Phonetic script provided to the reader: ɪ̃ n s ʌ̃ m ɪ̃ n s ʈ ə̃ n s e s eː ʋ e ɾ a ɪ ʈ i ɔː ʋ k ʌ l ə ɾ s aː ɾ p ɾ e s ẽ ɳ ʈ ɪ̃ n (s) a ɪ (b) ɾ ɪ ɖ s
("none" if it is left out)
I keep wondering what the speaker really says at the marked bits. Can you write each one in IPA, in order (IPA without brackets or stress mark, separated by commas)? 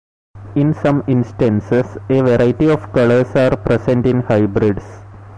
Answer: h, b